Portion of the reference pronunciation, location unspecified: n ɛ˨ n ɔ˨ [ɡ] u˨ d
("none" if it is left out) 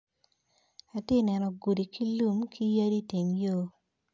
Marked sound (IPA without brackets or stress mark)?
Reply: ɡ